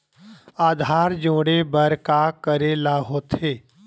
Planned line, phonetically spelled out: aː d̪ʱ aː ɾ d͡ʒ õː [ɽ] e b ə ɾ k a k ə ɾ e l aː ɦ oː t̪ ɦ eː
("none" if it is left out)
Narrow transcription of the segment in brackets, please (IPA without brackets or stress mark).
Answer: ɽ